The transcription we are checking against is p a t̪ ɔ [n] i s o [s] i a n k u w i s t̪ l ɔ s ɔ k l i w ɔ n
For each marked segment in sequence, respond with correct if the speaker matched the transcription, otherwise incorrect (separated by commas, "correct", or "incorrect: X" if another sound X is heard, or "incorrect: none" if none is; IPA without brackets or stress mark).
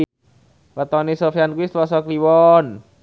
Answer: correct, incorrect: f